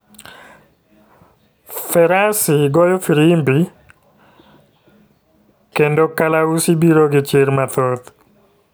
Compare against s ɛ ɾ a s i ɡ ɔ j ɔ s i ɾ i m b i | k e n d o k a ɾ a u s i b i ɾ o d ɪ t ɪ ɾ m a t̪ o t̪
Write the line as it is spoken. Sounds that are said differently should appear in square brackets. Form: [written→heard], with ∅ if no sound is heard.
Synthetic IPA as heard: [s→f] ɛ ɾ a s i ɡ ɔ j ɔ [s→f] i ɾ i m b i | k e n d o k a [ɾ→l] a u s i b i ɾ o [d→ɡ] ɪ [t→t͡ʃ] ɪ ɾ m a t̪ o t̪

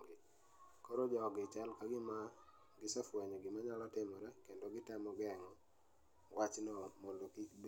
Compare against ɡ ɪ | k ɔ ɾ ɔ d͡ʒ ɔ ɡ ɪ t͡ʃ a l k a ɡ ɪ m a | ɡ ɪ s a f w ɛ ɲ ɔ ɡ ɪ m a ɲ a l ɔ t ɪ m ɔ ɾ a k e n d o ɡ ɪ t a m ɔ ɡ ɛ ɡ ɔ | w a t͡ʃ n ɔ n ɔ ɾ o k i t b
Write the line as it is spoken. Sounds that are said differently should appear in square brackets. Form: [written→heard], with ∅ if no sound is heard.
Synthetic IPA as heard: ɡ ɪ | k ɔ ɾ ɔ d͡ʒ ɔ ɡ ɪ t͡ʃ a l k a ɡ ɪ m a | ɡ ɪ s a f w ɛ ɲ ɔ ɡ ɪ m a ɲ a l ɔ t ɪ m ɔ ɾ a k e n d o ɡ ɪ t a m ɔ ɡ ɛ [ɡ→ŋ] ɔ | w a t͡ʃ n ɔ [n→m] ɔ [ɾ→l] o k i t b

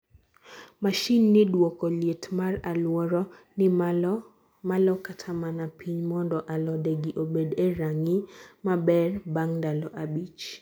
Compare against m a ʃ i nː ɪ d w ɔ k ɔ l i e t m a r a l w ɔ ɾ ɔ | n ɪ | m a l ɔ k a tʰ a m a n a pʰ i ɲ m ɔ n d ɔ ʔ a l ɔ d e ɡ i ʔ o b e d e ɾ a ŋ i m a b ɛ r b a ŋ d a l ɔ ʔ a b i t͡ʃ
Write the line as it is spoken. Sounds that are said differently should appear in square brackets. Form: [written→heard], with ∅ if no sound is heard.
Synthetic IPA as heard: m a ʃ i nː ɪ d w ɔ k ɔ l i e t m a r a l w ɔ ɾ ɔ | n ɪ | m a l ɔ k a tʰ a m a n a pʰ i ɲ m ɔ n d ɔ ʔ a l ɔ d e ɡ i ʔ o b e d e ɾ a ŋ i m a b ɛ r b a ŋ d a l ɔ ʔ a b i t͡ʃ

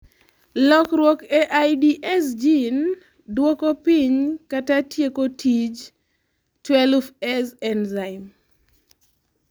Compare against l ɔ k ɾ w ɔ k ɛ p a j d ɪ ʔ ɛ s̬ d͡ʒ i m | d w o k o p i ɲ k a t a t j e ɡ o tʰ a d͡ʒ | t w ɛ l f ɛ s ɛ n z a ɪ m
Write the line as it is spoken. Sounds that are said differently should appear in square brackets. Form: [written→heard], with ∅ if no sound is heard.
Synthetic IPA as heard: l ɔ k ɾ w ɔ k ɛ [p→ʔ] a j d [ɪ→i] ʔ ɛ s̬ d͡ʒ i [m→n] | d w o k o p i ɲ k a t a t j e [ɡ→k] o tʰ [a→i] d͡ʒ | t w ɛ l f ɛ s ɛ n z a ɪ m

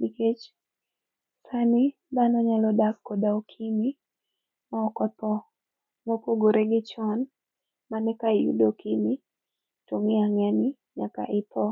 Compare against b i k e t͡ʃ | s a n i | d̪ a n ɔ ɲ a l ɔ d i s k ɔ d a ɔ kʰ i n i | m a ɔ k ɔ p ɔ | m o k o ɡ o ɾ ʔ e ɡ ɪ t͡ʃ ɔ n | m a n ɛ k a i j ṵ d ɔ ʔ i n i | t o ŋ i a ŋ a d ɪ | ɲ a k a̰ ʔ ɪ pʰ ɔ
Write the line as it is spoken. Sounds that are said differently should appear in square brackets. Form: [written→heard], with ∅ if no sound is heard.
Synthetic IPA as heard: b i k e t͡ʃ | s a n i | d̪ a n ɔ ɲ a l ɔ d [i→a] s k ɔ d a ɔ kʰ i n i | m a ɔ k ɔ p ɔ | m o k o ɡ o ɾ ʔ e ɡ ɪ t͡ʃ ɔ n | m a n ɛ k a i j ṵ d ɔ [ʔ→k] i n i | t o ŋ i a ŋ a [d→n] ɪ | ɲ a k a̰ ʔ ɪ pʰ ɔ

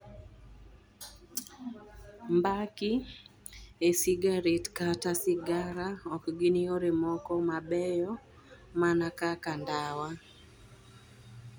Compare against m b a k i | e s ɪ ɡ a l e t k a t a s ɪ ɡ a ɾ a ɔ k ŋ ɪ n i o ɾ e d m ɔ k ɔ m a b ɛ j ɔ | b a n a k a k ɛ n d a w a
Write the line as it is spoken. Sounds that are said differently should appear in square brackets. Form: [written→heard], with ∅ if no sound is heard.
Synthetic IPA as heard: m b a k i | e s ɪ ɡ a [l→ɾ] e t k a t a s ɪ ɡ a ɾ a ɔ k [ŋ→ɡ] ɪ n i o ɾ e [d→∅] m ɔ k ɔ m a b ɛ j ɔ | [b→m] a n a k a k [ɛ→a] n d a w a

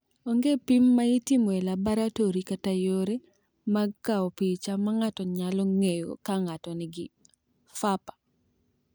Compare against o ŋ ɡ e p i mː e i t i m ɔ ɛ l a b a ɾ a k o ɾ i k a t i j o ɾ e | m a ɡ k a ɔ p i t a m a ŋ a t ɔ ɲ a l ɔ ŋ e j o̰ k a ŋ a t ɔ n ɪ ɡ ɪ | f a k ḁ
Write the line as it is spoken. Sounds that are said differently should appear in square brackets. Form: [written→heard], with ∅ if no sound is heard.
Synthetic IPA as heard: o ŋ ɡ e p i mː [e→a] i t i m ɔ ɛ l a b a ɾ a [k→t] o ɾ i k a t [i→a] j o ɾ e | m a ɡ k a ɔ p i [t→t͡ʃ] a m a ŋ a t ɔ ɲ a l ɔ ŋ e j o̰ k a ŋ a t ɔ n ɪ ɡ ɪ | f a [k→p] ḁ

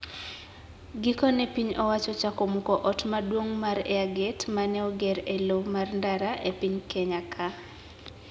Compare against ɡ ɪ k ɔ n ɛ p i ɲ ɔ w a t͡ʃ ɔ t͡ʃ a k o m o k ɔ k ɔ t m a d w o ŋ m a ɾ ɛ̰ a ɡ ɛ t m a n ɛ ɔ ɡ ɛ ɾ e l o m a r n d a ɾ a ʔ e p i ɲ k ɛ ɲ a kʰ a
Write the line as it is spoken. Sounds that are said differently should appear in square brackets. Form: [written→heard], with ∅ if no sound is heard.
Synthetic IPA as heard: ɡ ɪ k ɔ n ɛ p i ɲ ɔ w a t͡ʃ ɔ t͡ʃ a k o m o k ɔ [k→ʔ] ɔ t m a d w o ŋ m a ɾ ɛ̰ a ɡ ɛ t m a n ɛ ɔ ɡ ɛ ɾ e l o m a r n d a ɾ a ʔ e p i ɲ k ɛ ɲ a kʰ a

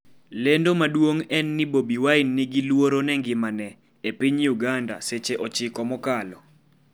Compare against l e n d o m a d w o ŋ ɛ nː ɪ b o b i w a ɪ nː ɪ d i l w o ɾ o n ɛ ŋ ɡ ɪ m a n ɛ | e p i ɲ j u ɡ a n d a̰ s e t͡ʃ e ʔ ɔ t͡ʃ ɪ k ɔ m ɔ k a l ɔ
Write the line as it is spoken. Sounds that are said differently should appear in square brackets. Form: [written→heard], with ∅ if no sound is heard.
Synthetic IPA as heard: l e n d o m a d w o ŋ ɛ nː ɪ b o b i w a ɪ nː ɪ [d→ɡ] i l w o ɾ o n ɛ ŋ ɡ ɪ m a n ɛ | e p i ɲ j u ɡ a n d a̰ s e t͡ʃ e ʔ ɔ t͡ʃ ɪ k ɔ m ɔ k a l ɔ

